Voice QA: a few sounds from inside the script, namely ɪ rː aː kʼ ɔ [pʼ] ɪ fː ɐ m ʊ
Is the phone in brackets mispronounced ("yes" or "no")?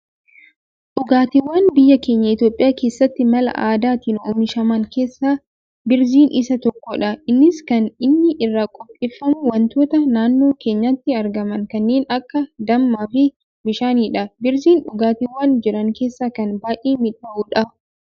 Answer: no